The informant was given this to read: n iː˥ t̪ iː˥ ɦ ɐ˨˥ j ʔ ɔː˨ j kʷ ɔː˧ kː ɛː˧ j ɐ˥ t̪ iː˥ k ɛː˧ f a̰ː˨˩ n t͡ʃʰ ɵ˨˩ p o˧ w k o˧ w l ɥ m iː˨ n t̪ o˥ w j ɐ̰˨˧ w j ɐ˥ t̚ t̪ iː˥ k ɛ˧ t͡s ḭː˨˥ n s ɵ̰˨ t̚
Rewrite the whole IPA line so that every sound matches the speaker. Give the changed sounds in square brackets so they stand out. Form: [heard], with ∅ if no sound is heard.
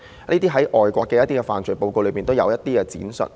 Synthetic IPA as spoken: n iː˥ t̪ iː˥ ɦ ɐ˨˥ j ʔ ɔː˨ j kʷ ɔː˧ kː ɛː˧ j ɐ˥ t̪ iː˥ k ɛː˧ f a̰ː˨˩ n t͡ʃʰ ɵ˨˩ p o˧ w k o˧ w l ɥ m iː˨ n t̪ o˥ w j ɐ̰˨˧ w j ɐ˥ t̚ t̪ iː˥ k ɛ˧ t͡s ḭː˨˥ n s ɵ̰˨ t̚